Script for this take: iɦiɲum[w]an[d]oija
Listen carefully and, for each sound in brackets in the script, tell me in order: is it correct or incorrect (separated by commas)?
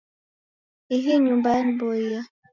incorrect, incorrect